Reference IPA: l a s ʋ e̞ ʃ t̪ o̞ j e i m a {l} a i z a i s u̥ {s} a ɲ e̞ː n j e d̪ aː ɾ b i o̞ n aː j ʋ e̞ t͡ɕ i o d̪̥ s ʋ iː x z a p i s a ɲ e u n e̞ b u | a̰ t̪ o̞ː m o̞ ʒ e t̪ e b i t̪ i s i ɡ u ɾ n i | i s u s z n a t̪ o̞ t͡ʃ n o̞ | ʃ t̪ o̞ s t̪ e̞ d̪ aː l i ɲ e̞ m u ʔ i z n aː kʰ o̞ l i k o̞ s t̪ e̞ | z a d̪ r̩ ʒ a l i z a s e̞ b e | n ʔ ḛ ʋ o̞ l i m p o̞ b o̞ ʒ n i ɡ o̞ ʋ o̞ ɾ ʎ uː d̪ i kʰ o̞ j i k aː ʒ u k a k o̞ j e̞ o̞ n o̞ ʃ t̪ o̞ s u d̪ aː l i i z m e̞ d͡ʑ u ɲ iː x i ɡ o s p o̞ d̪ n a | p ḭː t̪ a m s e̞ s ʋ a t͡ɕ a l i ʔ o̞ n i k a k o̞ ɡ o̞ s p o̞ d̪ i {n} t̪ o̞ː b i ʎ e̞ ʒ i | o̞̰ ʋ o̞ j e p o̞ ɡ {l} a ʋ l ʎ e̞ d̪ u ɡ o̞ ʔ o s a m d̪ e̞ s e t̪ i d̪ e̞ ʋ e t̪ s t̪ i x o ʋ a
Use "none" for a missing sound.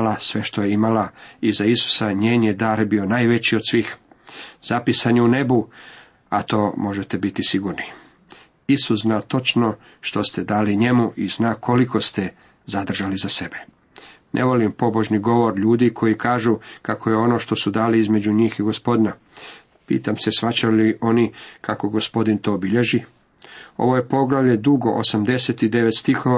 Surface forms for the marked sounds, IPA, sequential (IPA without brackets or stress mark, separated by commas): l, s, n, l